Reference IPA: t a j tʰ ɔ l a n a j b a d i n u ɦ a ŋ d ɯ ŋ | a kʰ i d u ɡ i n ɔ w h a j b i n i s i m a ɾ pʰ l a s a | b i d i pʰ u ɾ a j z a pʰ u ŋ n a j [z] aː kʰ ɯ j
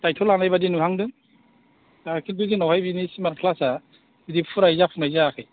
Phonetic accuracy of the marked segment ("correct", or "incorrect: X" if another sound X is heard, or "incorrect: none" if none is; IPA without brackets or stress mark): correct